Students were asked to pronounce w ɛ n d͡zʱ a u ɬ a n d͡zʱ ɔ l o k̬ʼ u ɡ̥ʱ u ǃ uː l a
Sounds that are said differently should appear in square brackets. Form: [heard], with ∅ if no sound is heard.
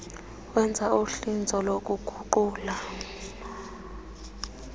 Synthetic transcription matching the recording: w ɛ n d͡zʱ a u ɬ [i] n d͡zʱ ɔ l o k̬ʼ u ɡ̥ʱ u ǃ uː l a